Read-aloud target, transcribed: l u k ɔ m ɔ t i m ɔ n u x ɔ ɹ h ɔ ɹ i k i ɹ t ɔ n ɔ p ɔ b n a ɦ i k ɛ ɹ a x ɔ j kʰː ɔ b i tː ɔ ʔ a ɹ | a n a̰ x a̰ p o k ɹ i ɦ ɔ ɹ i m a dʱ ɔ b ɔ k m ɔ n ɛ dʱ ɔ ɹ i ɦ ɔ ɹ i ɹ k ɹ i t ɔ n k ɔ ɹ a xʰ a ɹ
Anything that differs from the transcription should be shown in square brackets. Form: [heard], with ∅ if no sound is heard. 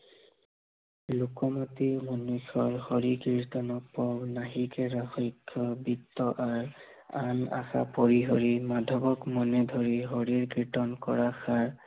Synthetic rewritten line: l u k ɔ m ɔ t i m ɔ n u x ɔ ɹ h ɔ ɹ i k i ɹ t ɔ n ɔ p ɔ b n a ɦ i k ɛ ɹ a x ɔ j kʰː ɔ b i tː ɔ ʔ a ɹ | a n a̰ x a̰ p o [∅] ɹ i ɦ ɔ ɹ i m a dʱ ɔ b ɔ k m ɔ n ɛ dʱ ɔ ɹ i ɦ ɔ ɹ i ɹ k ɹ i t ɔ n k ɔ ɹ a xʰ a ɹ